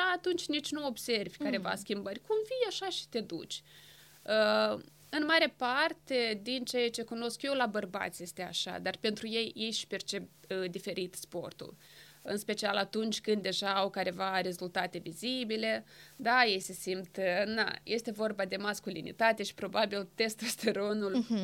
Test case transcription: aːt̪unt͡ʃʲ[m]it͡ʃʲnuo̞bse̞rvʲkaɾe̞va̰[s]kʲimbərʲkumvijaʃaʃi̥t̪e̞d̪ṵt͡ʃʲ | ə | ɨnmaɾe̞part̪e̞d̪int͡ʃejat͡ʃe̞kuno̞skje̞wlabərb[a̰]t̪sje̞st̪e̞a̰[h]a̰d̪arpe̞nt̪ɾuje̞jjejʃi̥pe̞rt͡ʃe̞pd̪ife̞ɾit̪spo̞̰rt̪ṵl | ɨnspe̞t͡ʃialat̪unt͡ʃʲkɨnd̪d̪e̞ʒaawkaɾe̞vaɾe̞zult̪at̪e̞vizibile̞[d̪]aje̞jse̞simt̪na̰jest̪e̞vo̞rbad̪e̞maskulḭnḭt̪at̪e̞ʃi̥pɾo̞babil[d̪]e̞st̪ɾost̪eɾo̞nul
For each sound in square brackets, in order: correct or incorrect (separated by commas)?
incorrect, correct, correct, incorrect, correct, incorrect